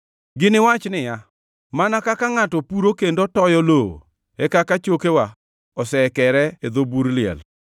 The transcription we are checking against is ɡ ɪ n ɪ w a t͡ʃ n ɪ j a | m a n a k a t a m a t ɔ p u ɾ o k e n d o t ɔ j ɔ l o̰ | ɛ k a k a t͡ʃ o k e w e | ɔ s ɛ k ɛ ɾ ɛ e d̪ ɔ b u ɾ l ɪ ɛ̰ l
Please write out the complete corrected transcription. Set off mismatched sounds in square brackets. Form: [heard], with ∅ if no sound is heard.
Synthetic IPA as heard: ɡ ɪ n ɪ w a t͡ʃ n ɪ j a | m a n a k a [k] a [ŋ] a t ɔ p u ɾ o k e n d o t ɔ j ɔ l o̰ | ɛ k a k a t͡ʃ o k e w [a] | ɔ s ɛ k ɛ ɾ ɛ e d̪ [o] b u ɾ l ɪ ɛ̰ l

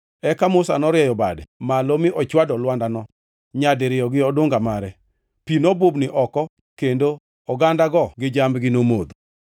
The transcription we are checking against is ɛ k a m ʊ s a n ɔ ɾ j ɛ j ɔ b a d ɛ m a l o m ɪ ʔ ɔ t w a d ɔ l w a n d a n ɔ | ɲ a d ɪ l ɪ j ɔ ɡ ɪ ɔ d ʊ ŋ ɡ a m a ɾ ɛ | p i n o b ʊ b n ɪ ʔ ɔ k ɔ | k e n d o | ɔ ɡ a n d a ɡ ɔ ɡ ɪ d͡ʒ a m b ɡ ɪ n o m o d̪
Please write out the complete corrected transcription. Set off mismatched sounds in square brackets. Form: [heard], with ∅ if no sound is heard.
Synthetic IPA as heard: ɛ k a m ʊ s a n ɔ ɾ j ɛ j ɔ b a d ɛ m a l o m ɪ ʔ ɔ [t͡ʃ] w a d ɔ l w a n d a n ɔ | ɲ a d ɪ [ɾ] ɪ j ɔ ɡ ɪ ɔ d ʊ ŋ ɡ a m a ɾ ɛ | p i n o b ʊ b n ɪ ʔ ɔ k ɔ | k e n d o | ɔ ɡ a n d a ɡ ɔ ɡ ɪ d͡ʒ a m b ɡ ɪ n o m o d̪

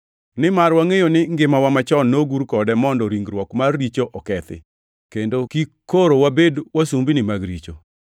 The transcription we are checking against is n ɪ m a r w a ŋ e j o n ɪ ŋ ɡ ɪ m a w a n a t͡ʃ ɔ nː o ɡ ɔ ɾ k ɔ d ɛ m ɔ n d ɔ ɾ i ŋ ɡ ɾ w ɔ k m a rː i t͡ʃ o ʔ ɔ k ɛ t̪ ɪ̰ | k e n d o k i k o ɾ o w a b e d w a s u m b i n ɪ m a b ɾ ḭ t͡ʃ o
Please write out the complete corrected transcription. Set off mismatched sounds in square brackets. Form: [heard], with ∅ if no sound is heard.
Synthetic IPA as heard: n ɪ m a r w a ŋ e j o n ɪ ŋ ɡ ɪ m a w a [m] a t͡ʃ ɔ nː o ɡ [u] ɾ k ɔ d ɛ m ɔ n d ɔ ɾ i ŋ ɡ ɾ w ɔ k m a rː i t͡ʃ o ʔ ɔ k ɛ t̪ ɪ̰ | k e n d o k i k o ɾ o w a b e d w a s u m b i n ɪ m a [ɡ] ɾ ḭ t͡ʃ o

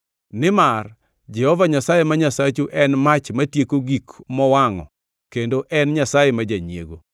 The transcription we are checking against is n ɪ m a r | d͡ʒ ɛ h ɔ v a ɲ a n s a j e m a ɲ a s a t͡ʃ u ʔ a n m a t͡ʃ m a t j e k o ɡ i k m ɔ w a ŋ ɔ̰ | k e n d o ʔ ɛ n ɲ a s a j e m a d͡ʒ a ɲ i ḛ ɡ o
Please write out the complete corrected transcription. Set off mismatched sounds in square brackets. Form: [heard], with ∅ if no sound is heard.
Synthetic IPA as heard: n ɪ m a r | d͡ʒ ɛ h ɔ v a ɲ a [∅] s a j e m a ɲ a s a t͡ʃ u ʔ [ɛ] n m a t͡ʃ m a t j e k o ɡ i k m ɔ w a ŋ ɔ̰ | k e n d o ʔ ɛ n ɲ a s a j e m a d͡ʒ a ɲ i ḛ ɡ o

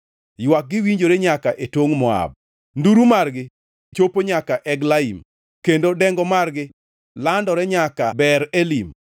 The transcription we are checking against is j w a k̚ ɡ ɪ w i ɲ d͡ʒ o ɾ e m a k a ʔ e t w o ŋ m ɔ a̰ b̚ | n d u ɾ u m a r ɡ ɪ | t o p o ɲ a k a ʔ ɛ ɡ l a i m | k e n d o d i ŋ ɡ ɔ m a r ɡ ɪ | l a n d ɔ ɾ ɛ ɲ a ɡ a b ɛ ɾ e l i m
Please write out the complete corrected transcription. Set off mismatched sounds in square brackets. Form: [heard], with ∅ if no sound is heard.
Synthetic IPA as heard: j w a k̚ ɡ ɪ w i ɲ d͡ʒ o ɾ e [ɲ] a k a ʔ e t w o ŋ m ɔ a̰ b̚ | n d u ɾ u m a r ɡ ɪ | [t͡ʃ] o p o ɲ a k a ʔ ɛ ɡ l a i m | k e n d o d [ɛ] ŋ ɡ ɔ m a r ɡ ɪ | l a n d ɔ ɾ ɛ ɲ a [k] a b ɛ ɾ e l i m

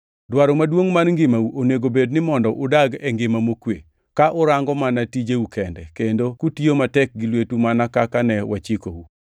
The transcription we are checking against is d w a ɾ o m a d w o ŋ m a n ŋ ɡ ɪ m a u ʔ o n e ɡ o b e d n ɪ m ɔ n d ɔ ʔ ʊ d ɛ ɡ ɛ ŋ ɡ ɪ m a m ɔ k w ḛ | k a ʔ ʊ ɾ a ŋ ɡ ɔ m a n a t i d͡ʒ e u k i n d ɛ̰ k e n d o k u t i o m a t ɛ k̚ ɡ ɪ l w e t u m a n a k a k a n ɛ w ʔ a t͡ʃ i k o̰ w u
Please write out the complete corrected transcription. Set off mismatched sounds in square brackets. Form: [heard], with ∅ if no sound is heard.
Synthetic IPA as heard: d w a ɾ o m a d w o ŋ m a n ŋ ɡ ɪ m a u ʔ o n e ɡ o b e d n ɪ m ɔ n d ɔ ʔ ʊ d [a] ɡ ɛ ŋ ɡ ɪ m a m [o] k w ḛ | k a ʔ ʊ ɾ a ŋ ɡ ɔ m a n a t i d͡ʒ e u k [ɛ] n d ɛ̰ k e n d o k u t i o m a t ɛ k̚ ɡ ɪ l w e t u m a n a k a k a n ɛ w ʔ a t͡ʃ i k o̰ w u

